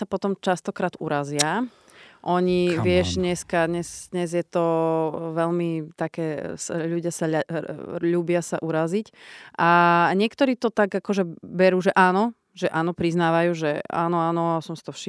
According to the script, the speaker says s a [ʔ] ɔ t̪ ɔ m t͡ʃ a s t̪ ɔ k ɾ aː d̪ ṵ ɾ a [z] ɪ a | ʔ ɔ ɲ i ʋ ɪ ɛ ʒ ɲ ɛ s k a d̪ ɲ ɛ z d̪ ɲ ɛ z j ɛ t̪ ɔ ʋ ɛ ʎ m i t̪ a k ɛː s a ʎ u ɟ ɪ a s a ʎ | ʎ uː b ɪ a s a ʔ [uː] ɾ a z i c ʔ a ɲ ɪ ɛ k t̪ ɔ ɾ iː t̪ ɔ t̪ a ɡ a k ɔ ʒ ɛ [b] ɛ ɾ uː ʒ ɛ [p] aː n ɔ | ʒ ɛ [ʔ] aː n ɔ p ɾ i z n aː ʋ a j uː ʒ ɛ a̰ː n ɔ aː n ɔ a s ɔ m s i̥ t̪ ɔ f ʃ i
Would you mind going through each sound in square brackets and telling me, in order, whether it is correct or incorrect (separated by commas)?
incorrect, correct, incorrect, correct, incorrect, correct